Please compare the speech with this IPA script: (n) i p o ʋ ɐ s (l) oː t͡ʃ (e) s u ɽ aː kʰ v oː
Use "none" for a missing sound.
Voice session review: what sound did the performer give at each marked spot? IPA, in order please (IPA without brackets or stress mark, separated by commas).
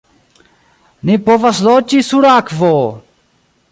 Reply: n, l, i